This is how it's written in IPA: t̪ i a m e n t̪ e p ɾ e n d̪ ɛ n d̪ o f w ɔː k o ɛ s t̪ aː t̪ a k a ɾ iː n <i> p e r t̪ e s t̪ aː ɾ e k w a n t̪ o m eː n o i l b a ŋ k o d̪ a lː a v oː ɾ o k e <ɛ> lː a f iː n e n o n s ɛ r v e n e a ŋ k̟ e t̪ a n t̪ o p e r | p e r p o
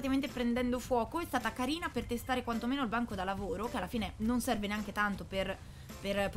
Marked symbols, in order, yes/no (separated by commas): no, no